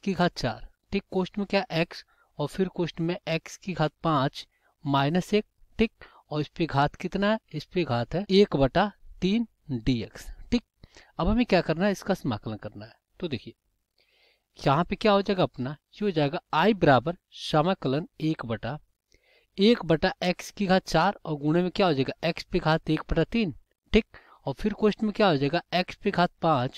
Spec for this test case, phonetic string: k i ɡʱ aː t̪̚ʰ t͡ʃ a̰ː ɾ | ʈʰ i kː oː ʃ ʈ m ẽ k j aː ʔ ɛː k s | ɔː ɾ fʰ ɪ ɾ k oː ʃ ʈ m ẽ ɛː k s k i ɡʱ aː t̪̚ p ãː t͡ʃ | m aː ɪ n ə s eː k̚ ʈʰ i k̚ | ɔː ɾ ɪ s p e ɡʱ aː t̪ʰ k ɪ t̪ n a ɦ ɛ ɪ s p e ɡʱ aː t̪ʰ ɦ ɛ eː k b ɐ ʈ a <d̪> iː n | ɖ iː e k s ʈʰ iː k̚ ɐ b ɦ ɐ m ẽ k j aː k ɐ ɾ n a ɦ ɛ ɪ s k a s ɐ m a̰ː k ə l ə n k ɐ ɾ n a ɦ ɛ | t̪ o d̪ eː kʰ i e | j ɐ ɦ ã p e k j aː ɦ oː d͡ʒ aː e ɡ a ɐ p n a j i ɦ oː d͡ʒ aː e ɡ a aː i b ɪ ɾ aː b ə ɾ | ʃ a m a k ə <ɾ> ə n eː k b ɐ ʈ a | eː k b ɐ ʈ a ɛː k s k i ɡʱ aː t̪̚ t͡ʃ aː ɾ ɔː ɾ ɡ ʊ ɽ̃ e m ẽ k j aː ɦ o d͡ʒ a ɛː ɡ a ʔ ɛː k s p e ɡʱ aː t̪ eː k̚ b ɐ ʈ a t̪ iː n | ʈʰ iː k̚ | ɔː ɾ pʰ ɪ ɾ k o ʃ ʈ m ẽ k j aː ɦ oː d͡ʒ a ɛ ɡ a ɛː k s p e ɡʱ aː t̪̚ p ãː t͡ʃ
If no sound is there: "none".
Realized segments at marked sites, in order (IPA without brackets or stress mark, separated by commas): t̪, l